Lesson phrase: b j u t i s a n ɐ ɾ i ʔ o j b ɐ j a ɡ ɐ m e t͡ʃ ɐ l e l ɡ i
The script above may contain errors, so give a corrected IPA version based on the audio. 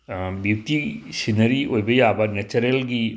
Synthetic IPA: b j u t i s i n ɐ ɾ i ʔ o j b ɐ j a b ɐ n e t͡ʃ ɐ ɾ e l ɡ i